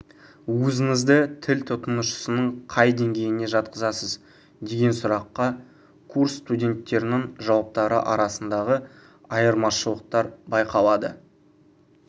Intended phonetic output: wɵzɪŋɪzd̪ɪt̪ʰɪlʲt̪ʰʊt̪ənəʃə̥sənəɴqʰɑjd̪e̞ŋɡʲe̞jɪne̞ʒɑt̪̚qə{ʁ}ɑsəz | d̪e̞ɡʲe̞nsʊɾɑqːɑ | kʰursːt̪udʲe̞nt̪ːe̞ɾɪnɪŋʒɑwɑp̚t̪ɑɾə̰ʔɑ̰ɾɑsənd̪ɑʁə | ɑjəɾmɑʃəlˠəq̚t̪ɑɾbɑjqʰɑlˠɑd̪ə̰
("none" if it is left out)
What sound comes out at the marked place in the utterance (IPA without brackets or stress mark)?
z